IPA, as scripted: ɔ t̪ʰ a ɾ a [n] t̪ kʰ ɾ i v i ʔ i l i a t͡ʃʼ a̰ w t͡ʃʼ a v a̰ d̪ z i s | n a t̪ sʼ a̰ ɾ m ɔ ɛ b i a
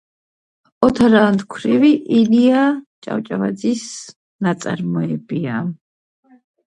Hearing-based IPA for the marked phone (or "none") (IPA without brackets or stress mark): n